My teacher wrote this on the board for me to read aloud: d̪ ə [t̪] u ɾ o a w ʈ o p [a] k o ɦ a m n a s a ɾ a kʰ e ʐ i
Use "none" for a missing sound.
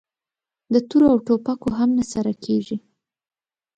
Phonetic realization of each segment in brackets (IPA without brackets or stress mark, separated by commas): t̪, a